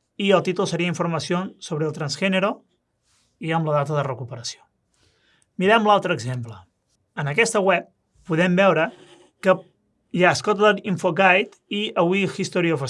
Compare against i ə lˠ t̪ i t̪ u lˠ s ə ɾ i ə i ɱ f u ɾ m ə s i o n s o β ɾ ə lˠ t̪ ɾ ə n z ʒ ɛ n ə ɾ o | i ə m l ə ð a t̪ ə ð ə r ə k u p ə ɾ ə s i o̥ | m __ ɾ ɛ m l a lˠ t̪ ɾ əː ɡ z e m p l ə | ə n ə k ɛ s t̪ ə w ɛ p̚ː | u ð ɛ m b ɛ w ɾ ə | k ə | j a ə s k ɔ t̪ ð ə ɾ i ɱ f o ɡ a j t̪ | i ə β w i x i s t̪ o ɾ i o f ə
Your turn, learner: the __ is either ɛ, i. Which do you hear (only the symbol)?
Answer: i